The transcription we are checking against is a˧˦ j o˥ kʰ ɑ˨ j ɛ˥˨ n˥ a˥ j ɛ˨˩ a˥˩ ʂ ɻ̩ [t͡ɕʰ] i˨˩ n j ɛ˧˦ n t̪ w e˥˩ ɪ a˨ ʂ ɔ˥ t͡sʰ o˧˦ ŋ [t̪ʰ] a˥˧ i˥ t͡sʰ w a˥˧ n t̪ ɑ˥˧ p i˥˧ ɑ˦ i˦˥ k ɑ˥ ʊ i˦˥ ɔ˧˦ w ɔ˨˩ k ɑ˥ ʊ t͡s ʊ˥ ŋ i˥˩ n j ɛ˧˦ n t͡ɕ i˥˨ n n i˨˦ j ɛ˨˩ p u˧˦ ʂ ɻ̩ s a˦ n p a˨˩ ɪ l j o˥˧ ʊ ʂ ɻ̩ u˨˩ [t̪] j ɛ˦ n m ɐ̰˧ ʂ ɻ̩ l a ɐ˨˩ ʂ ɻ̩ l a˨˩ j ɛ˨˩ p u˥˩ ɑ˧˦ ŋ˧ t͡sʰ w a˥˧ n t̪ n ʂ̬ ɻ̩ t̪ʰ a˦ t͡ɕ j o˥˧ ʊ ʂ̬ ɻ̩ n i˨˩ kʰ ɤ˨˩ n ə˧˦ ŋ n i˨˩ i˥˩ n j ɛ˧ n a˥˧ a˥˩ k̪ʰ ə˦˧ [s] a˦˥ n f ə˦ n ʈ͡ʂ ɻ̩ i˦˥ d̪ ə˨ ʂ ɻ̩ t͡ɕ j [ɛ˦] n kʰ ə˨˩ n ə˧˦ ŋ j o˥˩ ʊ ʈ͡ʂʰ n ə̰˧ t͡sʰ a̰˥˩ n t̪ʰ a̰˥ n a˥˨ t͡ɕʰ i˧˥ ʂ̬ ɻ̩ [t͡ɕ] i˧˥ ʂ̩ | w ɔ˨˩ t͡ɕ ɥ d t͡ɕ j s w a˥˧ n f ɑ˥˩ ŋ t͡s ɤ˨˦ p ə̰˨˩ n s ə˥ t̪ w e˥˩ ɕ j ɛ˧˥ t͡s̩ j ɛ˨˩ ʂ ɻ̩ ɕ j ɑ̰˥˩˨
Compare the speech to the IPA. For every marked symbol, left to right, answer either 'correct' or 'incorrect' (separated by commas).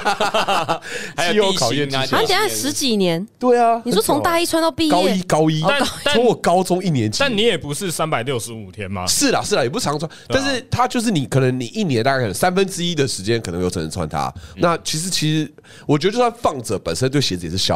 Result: incorrect, incorrect, incorrect, correct, correct, incorrect